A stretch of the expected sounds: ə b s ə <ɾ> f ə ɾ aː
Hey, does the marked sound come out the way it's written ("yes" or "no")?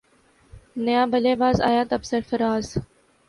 yes